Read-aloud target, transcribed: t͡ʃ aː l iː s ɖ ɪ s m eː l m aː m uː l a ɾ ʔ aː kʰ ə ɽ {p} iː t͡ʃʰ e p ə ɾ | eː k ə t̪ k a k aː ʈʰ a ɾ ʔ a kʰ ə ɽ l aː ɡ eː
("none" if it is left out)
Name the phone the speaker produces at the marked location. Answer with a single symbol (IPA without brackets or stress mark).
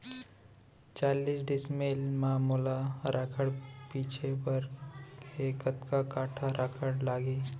p